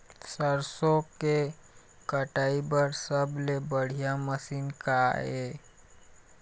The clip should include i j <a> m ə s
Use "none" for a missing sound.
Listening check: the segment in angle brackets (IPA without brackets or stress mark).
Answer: a